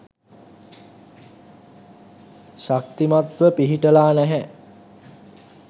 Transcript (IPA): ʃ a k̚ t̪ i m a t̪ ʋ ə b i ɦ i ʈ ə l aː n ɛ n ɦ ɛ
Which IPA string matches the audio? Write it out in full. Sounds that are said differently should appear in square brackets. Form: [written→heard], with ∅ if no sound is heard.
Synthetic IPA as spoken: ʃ a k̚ t̪ i m a t̪ ʋ ə [b→p] i ɦ i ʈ ə l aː n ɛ [n→∅] ɦ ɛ